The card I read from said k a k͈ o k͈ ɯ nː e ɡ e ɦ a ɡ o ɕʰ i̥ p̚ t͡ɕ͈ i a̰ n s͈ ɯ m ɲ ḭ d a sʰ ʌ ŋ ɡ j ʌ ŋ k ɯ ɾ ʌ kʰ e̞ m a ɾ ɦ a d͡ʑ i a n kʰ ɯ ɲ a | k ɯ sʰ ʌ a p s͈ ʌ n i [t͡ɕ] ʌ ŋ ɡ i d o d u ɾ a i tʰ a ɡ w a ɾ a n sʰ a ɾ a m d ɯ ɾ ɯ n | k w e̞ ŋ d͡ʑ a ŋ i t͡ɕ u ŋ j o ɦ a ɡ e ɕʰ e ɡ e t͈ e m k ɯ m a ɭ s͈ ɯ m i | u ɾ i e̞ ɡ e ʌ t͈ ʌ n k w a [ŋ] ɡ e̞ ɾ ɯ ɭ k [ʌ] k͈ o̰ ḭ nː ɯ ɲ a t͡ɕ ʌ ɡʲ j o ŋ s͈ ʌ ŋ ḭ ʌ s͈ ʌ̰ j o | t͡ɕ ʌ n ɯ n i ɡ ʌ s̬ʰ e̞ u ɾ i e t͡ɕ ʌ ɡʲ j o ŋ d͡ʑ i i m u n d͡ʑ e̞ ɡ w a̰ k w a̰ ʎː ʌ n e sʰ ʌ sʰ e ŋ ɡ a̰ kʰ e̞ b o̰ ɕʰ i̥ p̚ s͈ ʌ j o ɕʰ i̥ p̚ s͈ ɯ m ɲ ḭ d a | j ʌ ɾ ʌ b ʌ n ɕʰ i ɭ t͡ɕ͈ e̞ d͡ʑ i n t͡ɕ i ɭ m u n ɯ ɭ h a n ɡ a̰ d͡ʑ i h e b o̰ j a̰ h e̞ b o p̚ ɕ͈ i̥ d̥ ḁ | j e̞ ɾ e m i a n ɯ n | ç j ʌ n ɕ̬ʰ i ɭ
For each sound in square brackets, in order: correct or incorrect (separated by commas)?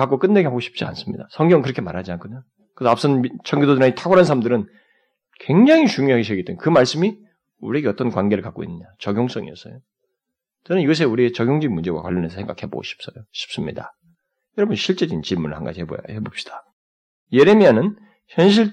incorrect, incorrect, incorrect